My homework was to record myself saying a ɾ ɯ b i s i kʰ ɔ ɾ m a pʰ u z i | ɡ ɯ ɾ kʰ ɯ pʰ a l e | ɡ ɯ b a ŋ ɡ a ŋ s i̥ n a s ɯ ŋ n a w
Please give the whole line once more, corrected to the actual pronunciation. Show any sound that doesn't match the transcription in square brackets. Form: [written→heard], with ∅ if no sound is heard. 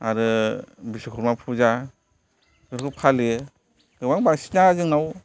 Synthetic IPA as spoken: a ɾ ɯ b i s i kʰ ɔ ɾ m a pʰ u z [i→a] | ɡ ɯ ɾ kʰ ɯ pʰ a l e | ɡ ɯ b a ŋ [ɡ→b] a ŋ s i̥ n a [s→z] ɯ ŋ n a w

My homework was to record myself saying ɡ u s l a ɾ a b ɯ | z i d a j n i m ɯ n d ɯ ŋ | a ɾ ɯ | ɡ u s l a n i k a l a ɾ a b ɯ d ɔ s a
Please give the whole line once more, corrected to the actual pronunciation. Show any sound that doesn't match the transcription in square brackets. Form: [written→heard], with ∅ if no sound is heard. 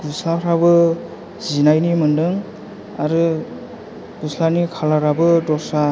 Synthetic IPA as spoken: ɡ u s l a ɾ a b ɯ | z i [d→n] a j n i m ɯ n d ɯ ŋ | a ɾ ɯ | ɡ u s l a n i [k→kʰ] a l a ɾ a b ɯ d ɔ s a

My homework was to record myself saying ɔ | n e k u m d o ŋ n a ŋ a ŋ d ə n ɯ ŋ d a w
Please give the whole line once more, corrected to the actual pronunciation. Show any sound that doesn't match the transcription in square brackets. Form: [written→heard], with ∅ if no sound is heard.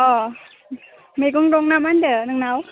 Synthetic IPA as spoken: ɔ | [n→m] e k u [m→ŋ] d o ŋ n a [ŋ→m] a [ŋ→n] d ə n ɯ ŋ [d→n] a w

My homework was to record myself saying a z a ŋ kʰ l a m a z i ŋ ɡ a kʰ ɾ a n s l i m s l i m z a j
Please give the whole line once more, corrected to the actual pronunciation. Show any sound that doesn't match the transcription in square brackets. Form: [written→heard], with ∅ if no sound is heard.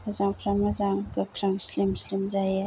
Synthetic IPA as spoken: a z a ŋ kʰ [l→ɾ] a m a z [i→a] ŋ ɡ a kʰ ɾ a [n→ŋ] s l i m s l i m z a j

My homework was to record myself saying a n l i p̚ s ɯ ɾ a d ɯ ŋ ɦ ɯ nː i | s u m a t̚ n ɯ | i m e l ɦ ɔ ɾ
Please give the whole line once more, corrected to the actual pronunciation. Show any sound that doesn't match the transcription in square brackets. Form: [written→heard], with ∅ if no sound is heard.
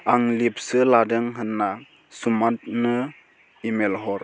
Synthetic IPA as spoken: a [n→ŋ] l i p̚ s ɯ [ɾ→l] a d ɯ ŋ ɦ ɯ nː [i→a] | s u m a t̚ n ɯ | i m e l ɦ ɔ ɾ

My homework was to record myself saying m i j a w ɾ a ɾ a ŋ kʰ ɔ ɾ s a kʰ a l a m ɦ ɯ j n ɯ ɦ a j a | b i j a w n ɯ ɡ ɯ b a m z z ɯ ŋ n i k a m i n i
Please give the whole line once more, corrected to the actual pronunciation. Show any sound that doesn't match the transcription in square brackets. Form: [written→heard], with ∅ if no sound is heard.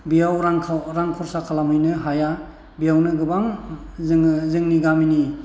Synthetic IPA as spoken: [m→b] i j a w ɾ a ɾ a ŋ kʰ ɔ ɾ s a kʰ a l a m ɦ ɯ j n ɯ ɦ a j a | b i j a w n ɯ ɡ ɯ b a [m→ŋ] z z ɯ ŋ n i [k→ɡ] a m i n i

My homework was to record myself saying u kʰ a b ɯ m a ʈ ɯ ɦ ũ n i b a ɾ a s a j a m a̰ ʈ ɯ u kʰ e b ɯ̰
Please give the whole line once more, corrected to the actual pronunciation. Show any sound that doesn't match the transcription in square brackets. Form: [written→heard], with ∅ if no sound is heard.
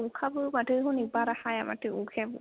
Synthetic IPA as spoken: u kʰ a b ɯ m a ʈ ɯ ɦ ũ n i b a ɾ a [s→h] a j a m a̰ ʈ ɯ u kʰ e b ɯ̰

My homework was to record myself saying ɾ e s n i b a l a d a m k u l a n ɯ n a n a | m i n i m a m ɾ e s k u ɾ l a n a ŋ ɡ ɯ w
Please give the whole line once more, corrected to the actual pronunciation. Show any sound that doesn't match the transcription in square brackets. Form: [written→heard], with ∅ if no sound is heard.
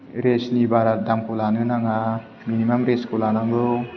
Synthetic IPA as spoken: ɾ e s n i b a [l→ɾ] a d a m k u l a n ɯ n a [n→ŋ] a | m i n i m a m ɾ e s k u [ɾ→∅] l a n a ŋ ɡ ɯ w

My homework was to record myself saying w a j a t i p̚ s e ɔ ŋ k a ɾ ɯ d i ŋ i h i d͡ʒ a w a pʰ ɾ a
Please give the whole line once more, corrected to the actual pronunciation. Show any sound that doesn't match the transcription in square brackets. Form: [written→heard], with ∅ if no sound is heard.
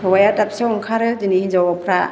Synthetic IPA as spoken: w a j a t [i→a] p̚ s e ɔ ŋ [k→kʰ] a ɾ ɯ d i [ŋ→n] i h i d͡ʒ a w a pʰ ɾ a

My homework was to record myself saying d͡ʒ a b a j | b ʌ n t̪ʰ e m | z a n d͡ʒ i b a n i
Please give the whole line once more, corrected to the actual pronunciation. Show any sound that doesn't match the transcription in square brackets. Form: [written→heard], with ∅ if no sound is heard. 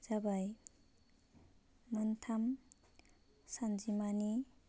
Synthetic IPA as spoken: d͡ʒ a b a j | [b→m] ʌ n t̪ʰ [e→a] m | [z→s] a n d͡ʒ i [b→m] a n i

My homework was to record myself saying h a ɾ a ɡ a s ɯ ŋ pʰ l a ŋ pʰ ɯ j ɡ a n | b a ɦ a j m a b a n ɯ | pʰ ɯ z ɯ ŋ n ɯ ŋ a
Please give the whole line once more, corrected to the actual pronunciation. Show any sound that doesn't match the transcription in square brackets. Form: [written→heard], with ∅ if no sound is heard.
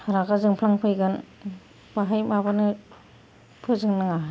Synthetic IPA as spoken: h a ɾ a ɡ a [s→z] ɯ ŋ pʰ l a ŋ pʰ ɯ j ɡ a n | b a ɦ a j m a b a n ɯ | pʰ ɯ z ɯ ŋ n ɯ ŋ a

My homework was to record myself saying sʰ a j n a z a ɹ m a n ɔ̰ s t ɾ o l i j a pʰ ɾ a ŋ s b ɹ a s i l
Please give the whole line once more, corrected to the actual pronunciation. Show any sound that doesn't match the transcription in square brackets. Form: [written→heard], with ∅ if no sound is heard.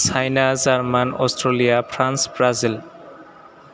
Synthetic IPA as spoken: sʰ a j n a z a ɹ m a n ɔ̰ s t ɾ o l i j a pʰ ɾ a [ŋ→n] s b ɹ a [s→z] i l

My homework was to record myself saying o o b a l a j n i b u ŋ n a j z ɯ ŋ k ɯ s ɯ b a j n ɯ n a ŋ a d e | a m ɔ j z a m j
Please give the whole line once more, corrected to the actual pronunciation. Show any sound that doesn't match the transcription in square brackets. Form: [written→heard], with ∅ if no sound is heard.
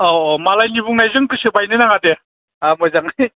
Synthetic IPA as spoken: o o [b→m] a l a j n i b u ŋ n a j z ɯ ŋ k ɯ s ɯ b a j n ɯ n a ŋ a d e | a m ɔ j z a [m→ŋ] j

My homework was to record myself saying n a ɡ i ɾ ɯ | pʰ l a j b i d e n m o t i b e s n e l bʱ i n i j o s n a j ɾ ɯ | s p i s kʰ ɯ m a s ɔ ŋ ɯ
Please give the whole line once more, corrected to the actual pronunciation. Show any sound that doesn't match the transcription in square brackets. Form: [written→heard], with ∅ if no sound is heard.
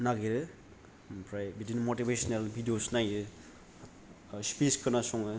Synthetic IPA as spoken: n a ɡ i ɾ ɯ | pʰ [l→ɾ] a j b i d [e→i] n m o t i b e s n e l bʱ i [n→d] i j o s n a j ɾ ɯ | s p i s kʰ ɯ [m→n] a s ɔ ŋ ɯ

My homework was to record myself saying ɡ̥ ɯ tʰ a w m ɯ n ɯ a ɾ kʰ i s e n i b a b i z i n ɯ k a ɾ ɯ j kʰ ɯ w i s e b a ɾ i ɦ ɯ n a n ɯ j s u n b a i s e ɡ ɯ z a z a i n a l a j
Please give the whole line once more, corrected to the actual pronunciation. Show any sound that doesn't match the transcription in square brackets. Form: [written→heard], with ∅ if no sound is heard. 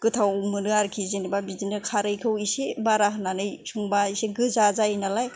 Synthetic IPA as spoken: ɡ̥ ɯ tʰ a w m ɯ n ɯ a ɾ kʰ i [s→z] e n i b a b i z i n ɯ [k→kʰ] a ɾ ɯ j kʰ ɯ w i s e b a ɾ [i→a] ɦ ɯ n a n ɯ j s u [n→ŋ] b a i s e ɡ ɯ z a z a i n a l a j

